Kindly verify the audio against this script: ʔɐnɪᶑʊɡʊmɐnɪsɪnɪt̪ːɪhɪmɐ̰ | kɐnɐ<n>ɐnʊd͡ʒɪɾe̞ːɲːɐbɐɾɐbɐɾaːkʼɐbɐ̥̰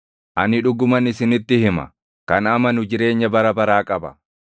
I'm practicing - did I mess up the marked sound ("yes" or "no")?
yes